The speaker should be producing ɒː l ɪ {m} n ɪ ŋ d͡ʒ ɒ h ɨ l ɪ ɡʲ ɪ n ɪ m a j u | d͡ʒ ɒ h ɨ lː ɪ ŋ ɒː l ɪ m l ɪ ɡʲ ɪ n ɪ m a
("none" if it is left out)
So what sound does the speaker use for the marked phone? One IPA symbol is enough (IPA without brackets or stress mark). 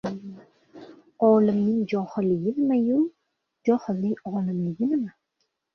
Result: m